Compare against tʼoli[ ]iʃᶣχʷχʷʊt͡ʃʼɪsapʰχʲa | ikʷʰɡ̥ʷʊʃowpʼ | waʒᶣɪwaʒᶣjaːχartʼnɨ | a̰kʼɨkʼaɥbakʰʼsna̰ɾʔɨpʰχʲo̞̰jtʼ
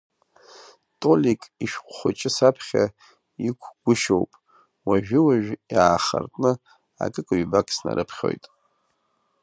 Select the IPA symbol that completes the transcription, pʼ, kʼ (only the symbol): kʼ